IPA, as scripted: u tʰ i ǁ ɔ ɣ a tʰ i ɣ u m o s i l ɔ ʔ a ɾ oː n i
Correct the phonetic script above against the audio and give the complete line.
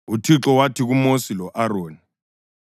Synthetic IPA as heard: u tʰ i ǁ ɔ w a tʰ i ɣ u m o s i l ɔ ʔ a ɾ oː n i